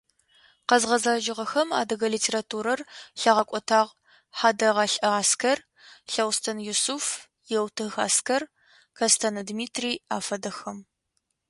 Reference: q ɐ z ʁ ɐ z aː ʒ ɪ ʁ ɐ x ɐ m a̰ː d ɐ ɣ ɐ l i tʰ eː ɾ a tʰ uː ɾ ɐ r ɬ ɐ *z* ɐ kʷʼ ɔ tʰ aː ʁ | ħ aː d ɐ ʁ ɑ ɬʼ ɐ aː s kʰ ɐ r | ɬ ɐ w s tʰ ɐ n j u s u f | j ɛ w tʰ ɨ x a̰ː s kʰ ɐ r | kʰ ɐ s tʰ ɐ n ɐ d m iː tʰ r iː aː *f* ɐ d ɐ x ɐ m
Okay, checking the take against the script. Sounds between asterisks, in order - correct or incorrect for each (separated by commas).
incorrect, correct